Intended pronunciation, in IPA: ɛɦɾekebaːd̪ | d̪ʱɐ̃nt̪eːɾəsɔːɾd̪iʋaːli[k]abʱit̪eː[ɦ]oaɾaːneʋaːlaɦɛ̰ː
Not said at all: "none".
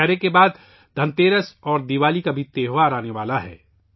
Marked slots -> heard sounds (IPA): k, ɦ

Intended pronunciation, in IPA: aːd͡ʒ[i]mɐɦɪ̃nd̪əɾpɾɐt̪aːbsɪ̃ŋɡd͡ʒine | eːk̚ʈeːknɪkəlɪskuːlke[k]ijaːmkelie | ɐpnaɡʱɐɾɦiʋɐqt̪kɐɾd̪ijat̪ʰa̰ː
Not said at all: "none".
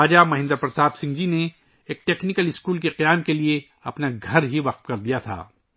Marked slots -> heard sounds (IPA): a, q

